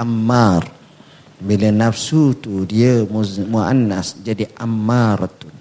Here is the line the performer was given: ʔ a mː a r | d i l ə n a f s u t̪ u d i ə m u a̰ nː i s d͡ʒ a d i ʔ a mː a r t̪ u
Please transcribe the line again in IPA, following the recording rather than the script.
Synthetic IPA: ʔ a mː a r | b i l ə n a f s u t̪ u d i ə m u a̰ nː a s d͡ʒ a d i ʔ a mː a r t̪ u